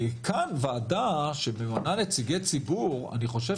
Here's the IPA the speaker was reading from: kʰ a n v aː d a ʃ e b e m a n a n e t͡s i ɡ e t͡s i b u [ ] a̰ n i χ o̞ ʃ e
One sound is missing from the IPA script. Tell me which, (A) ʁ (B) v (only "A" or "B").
A